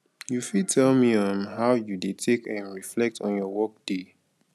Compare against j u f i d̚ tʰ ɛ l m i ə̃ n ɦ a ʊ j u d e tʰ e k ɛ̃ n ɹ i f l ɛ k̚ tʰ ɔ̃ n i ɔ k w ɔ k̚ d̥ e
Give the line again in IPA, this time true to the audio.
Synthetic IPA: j u f i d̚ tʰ ɛ l m i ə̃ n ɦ a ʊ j u d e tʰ e k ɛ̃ n ɹ i f l ɛ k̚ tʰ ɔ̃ n j ɔ w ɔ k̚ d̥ e